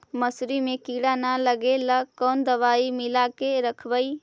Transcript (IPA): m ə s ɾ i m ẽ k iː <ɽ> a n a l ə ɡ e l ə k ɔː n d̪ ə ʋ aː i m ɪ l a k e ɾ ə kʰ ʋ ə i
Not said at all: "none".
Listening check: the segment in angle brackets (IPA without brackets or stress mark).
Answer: ɽ